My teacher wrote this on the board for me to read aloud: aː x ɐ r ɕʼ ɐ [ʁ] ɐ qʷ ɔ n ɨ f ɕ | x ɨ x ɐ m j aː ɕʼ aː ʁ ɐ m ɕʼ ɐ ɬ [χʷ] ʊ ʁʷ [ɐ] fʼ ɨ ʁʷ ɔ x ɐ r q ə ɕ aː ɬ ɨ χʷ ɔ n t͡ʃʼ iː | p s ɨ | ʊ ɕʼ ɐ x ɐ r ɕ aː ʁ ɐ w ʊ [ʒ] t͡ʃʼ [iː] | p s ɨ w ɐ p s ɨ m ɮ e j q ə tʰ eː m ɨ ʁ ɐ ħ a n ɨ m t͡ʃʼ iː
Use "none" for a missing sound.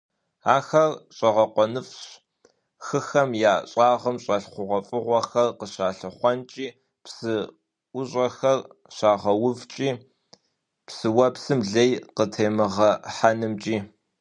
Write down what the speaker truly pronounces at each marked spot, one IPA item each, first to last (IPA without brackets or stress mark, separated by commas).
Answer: ʁ, χʷ, ɐ, v, iː